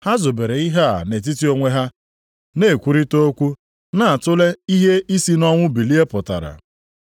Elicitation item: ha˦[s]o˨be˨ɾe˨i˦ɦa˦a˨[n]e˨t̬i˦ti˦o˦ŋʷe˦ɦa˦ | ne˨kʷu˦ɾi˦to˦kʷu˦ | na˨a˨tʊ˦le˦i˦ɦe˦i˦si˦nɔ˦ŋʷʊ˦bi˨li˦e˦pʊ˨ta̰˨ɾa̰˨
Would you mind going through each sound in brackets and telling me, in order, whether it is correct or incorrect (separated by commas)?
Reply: incorrect, correct